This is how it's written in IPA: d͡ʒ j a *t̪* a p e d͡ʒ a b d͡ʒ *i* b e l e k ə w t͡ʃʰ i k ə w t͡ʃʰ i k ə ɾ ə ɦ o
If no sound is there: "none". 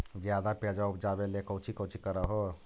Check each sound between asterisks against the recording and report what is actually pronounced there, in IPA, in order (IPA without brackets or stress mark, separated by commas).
d̪, a